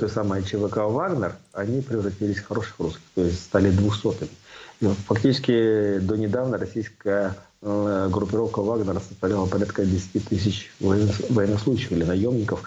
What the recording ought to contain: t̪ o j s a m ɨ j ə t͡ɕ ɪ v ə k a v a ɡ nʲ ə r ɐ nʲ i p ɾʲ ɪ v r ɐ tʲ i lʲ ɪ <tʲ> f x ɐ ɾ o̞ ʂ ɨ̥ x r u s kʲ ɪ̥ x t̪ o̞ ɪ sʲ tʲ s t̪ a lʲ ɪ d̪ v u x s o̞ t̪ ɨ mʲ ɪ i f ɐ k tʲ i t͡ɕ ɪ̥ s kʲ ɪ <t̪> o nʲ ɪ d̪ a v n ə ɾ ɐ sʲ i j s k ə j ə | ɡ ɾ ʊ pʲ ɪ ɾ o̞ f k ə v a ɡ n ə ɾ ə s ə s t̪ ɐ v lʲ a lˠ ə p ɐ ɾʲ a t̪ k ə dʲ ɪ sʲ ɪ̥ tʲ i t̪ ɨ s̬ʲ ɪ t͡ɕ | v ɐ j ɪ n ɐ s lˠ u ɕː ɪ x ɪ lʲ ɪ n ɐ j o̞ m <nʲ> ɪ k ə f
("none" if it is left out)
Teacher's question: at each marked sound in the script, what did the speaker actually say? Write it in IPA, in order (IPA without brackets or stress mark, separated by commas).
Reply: sʲ, d̪, nʲ